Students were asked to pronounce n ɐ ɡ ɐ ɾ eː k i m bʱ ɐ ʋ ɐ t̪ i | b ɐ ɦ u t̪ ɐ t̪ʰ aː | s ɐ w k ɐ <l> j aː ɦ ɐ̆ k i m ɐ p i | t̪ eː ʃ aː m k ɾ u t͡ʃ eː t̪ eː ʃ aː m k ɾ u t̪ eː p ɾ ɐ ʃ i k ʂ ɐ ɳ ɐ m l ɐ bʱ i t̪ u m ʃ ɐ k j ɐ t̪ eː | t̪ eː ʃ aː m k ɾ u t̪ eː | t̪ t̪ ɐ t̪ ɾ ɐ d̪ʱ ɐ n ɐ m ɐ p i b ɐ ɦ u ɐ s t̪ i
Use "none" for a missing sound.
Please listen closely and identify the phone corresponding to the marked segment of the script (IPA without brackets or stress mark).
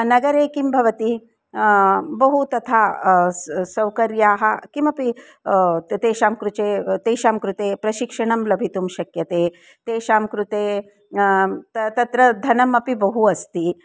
ɾ